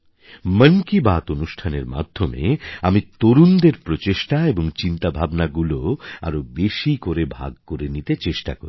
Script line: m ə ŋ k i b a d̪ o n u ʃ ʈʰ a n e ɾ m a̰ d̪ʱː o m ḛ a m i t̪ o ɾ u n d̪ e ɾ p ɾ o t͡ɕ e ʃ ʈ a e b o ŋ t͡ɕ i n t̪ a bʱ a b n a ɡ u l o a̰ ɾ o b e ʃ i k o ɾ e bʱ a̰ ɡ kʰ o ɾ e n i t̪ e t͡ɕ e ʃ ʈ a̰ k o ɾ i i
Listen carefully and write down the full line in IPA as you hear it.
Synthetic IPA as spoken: m ə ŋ k i b a t̪ o n u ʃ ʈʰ a n e ɾ m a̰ d̪ʱː o m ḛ a m i t̪ o ɾ u n d̪ e ɾ p ɾ o t͡ɕ e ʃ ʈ a e b o ŋ t͡ɕ i n t̪ a bʱ a b n a ɡ u l o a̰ ɾ o b e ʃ i k o ɾ e bʱ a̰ ɡ k o ɾ e n i t̪ e t͡ɕ e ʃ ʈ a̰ k o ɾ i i